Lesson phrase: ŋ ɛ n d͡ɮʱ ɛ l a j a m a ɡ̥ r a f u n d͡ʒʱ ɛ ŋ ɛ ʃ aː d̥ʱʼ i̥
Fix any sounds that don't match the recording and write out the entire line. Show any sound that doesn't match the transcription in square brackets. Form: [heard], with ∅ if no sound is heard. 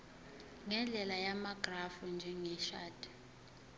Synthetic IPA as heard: ŋ ɛ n d͡ɮʱ ɛ l a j a m a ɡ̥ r a f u n d͡ʒʱ ɛ ŋ ɛ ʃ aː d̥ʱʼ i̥